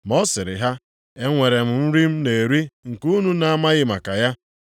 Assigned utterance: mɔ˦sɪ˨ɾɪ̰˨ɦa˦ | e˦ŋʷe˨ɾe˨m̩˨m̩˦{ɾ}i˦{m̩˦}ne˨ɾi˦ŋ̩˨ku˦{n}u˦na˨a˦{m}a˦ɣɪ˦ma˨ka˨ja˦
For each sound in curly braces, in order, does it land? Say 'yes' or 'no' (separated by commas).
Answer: yes, yes, yes, yes